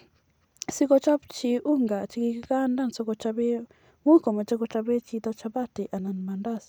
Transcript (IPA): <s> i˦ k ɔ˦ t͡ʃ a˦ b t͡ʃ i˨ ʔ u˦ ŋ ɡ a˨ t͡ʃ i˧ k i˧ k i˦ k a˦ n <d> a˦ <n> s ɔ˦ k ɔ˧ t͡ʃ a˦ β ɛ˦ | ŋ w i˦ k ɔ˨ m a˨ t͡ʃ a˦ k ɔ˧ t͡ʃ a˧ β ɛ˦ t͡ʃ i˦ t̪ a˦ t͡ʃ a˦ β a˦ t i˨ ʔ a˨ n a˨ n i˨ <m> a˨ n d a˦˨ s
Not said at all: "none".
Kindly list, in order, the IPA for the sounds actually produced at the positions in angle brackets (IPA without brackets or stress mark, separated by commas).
s, d, n, m